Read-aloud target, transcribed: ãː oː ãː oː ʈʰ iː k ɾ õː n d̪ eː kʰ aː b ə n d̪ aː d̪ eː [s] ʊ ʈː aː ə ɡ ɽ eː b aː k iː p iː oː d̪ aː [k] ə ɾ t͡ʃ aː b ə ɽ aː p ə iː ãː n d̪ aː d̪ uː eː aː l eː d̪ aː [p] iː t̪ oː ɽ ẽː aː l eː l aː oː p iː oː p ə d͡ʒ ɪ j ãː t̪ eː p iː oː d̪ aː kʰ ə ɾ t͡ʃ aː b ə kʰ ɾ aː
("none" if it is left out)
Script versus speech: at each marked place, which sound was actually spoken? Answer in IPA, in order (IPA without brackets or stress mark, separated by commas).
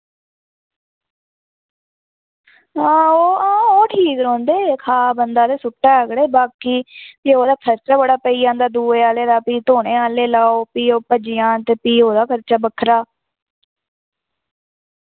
s, kʰ, p